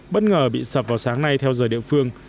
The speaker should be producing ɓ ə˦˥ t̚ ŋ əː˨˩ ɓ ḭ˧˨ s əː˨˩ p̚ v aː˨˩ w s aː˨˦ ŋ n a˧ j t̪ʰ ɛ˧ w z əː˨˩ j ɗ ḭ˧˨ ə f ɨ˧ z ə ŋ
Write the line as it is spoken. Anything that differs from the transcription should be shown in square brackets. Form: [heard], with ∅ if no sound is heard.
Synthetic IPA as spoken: ɓ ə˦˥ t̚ ŋ əː˨˩ ɓ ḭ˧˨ s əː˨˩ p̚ v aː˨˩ w s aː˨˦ ŋ n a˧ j t̪ʰ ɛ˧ w z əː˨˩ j ɗ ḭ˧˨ ə f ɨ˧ [∅] ə ŋ